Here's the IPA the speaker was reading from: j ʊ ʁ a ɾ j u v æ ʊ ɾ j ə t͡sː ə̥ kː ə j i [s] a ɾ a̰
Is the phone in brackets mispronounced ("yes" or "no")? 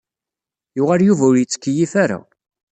yes